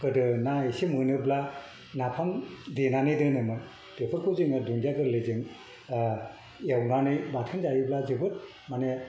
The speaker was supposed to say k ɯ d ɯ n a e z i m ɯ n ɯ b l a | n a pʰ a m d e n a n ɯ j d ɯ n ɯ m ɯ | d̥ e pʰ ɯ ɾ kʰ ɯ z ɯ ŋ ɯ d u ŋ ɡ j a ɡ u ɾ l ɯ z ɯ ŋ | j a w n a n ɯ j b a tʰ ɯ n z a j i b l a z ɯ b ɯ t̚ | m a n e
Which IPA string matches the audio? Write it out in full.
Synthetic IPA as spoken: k ɯ d ɯ n a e s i m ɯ n ɯ b l a | n a pʰ a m d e n a n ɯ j d ɯ n ɯ m ɯ | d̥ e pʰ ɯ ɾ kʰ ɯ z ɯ ŋ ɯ d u ŋ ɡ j a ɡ ɯ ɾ l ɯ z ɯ ŋ | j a w n a n ɯ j b a tʰ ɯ n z a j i b l a z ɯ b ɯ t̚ | m a n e